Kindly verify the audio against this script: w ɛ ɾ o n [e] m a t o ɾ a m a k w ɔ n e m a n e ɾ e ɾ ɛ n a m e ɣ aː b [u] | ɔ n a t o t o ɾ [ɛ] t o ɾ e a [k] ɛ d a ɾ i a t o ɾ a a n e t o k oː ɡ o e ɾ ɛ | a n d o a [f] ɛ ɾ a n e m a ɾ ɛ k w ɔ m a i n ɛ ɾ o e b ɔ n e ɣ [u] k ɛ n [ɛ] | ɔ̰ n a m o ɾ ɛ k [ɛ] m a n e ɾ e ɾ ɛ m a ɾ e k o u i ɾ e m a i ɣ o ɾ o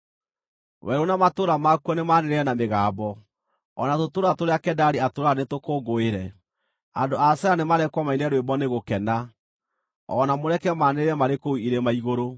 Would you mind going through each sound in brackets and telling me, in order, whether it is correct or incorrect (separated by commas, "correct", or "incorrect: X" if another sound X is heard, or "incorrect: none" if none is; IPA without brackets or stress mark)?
incorrect: a, incorrect: ɔ, incorrect: a, correct, incorrect: s, incorrect: o, incorrect: a, correct